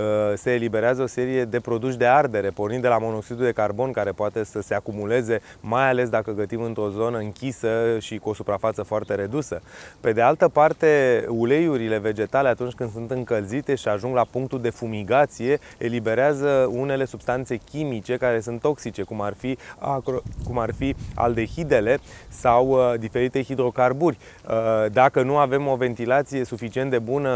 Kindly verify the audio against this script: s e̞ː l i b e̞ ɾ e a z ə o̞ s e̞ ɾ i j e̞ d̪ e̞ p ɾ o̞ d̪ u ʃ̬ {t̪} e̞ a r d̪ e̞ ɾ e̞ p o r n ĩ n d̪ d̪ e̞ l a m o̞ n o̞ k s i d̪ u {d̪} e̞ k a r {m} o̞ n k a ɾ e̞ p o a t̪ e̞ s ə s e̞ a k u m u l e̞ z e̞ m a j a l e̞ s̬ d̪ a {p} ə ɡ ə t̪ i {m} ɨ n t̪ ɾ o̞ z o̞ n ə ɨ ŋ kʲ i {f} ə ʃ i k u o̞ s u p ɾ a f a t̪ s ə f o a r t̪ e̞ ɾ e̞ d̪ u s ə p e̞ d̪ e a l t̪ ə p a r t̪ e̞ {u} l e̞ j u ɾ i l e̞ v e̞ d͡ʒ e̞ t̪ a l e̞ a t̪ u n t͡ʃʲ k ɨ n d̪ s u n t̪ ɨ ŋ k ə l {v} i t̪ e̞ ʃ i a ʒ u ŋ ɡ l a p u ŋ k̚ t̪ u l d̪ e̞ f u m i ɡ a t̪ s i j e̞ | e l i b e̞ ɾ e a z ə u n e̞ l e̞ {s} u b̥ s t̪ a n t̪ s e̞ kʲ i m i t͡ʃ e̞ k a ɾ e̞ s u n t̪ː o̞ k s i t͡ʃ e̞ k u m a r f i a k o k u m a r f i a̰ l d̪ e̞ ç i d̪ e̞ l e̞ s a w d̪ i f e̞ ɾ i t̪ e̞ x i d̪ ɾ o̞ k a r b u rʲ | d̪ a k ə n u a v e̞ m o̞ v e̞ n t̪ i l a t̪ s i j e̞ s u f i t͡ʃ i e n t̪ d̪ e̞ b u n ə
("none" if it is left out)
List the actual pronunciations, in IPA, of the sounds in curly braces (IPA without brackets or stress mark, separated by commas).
d̪, d̪, b, k, m, s, u, z, s